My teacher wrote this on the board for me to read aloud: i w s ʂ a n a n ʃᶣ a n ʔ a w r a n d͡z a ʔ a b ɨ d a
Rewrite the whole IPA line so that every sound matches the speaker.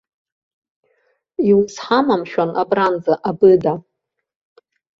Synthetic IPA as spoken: i w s ħ a m a m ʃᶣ a n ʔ a b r a n d͡z a ʔ a b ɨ d a